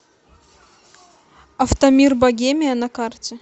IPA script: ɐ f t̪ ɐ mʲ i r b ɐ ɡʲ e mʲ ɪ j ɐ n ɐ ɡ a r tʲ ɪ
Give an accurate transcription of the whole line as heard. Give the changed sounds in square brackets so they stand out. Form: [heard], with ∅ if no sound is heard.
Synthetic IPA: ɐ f t̪ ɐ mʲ i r b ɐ ɡʲ e mʲ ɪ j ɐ n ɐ [k] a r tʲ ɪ